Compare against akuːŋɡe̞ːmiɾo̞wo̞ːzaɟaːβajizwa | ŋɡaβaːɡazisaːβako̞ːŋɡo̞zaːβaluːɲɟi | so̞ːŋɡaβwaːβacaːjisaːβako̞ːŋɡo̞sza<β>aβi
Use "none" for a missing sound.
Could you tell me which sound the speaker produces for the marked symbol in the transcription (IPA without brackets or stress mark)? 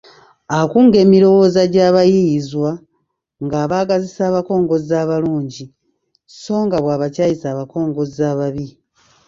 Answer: β